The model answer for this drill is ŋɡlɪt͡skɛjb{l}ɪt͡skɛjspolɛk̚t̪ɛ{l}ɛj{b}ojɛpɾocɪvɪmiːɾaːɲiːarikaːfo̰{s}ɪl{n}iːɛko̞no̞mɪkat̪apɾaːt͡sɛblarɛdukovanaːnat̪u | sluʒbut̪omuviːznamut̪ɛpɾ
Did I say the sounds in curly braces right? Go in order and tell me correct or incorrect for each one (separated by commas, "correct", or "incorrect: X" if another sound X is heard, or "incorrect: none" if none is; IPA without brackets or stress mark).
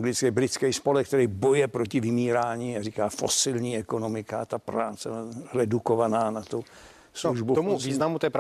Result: incorrect: ɾ, incorrect: ɾ, correct, correct, incorrect: ɲ